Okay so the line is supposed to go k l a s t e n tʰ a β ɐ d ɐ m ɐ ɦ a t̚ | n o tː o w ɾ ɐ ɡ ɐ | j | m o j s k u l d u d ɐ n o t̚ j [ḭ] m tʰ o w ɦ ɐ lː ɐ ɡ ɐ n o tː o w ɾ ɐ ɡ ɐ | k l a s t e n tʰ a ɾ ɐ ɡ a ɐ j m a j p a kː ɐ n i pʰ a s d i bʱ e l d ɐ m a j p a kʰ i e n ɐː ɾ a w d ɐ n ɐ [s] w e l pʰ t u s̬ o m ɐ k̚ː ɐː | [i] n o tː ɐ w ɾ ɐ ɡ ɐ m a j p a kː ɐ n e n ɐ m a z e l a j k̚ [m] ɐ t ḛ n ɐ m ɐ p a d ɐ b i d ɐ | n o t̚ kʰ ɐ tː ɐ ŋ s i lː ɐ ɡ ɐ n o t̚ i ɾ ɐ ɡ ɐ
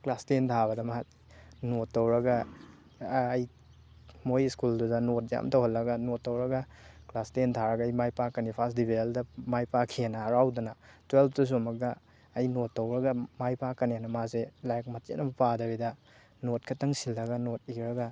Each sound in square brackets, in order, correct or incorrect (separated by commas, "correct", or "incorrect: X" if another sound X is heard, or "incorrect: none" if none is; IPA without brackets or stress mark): incorrect: a̰, incorrect: t, incorrect: j, correct